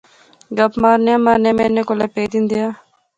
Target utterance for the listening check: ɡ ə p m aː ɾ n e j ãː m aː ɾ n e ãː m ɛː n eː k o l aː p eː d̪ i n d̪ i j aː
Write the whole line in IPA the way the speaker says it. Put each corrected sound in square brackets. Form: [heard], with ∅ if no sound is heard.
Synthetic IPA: ɡ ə p m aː ɾ n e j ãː m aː ɾ n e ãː m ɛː n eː k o l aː p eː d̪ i n d̪ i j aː

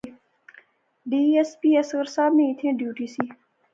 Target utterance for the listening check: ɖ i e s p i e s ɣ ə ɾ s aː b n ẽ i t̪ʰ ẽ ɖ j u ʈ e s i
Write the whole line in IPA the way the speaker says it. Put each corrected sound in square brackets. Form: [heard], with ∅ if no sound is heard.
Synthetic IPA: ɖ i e s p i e s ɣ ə ɾ s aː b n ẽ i t̪ʰ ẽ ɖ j u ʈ [i] s i

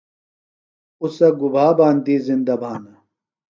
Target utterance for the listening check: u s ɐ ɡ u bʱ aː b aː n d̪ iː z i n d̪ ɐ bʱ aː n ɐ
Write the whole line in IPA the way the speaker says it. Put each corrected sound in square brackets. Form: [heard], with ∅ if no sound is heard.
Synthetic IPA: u s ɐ ɡ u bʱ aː b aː n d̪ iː z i n d̪ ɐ bʱ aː n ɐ

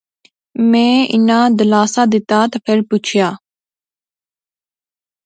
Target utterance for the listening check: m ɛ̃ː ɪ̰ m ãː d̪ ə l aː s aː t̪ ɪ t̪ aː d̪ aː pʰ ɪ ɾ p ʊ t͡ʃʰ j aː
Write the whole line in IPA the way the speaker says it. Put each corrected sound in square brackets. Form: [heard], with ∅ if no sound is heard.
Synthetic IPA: m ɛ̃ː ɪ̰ [n] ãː d̪ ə l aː s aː [d̪] ɪ t̪ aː [t̪] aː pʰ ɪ ɾ p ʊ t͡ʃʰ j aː

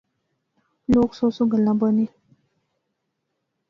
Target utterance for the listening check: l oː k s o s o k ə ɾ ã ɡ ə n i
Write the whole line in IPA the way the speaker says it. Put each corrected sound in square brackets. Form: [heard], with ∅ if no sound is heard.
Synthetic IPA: l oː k s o s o [ɡ] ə [l] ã [b] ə n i

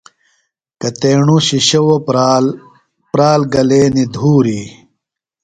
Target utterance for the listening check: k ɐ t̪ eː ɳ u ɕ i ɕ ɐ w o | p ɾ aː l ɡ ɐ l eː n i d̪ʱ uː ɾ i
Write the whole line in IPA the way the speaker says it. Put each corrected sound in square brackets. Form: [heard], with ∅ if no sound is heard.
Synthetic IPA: k ɐ t̪ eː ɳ u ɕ i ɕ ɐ w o | p ɾ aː l ɡ ɐ l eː n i d̪ʱ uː ɾ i

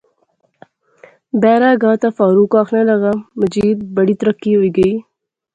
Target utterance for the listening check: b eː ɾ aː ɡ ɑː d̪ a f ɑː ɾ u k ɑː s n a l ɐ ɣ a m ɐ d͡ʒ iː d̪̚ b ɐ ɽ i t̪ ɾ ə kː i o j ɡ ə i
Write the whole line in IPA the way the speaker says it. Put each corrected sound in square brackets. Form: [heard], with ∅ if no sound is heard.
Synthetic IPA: b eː ɾ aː ɡ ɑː [t̪] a f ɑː ɾ u k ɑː [x] n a l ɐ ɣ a m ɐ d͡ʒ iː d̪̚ b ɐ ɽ i t̪ ɾ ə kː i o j ɡ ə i

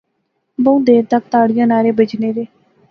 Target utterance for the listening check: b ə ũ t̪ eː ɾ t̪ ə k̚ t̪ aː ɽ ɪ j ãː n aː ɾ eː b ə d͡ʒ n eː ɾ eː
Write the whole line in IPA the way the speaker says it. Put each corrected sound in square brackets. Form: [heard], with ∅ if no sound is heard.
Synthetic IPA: b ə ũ [d̪] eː ɾ t̪ ə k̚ t̪ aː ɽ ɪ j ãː n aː ɾ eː b ə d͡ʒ n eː ɾ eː

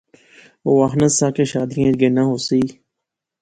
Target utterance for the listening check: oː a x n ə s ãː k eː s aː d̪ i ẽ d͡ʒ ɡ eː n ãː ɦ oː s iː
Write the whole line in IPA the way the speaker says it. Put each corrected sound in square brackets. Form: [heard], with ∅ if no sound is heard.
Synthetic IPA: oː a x n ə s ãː k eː [ʃ] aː d̪ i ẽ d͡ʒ ɡ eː n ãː ɦ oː s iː

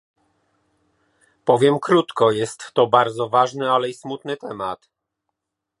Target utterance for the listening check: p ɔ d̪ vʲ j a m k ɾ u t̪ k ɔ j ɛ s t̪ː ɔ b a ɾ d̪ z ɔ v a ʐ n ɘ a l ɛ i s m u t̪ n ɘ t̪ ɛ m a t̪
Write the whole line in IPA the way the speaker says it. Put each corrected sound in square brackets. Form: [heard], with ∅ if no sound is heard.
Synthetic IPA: p ɔ [∅] vʲ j [ɛ] m k ɾ u t̪ k ɔ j ɛ s t̪ː ɔ b a ɾ d̪ z ɔ v a ʐ n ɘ a l ɛ i s m u t̪ n ɘ t̪ ɛ m a t̪

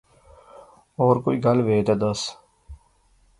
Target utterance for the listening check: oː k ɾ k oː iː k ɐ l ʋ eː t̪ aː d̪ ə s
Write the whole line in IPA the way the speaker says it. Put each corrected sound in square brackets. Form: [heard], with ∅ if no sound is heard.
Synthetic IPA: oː [∅] ɾ k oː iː [ɡ] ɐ l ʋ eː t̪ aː d̪ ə s

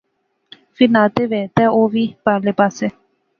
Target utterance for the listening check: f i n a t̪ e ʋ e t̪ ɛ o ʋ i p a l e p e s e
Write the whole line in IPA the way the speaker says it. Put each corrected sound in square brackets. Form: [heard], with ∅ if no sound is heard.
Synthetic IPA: f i n a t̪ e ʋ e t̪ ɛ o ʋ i p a l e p [a] s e

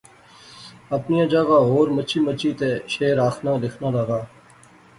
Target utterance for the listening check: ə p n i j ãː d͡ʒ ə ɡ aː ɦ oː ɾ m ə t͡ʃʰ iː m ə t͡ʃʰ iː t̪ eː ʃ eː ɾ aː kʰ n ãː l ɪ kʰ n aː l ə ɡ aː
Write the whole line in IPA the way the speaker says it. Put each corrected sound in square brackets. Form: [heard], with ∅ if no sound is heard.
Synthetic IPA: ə p n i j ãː d͡ʒ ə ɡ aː ɦ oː ɾ m ə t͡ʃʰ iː m ə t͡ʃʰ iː t̪ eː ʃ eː ɾ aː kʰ n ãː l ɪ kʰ n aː l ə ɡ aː

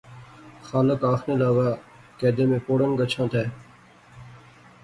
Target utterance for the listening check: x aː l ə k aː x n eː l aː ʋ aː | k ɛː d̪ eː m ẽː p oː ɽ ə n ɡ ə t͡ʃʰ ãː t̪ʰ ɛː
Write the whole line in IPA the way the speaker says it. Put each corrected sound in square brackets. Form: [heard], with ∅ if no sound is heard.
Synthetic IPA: x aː l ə k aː x n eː l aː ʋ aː | k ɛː d̪ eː m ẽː p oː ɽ ə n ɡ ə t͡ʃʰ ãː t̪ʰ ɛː

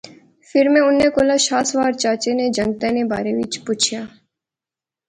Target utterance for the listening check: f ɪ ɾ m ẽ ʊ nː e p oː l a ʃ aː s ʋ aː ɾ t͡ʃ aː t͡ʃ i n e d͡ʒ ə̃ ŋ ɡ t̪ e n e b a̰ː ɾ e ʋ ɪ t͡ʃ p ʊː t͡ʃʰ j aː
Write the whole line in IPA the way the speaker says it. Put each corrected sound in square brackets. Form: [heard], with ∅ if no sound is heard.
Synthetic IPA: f ɪ ɾ m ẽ ʊ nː e [k] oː l a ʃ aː s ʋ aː ɾ t͡ʃ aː t͡ʃ [e] n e d͡ʒ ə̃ ŋ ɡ t̪ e n e b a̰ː ɾ e ʋ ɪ t͡ʃ p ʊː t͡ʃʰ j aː

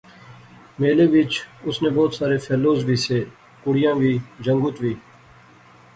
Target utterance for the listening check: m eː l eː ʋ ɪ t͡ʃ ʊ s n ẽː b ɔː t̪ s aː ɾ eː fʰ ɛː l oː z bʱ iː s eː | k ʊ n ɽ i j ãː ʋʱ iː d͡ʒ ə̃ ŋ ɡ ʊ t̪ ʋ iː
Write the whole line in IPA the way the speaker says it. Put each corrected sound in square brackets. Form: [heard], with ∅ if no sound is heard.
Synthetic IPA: m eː l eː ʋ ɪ t͡ʃ ʊ s n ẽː b ɔː t̪ s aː ɾ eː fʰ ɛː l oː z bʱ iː s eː | k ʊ [∅] ɽ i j ãː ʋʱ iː d͡ʒ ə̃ ŋ ɡ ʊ t̪ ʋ iː

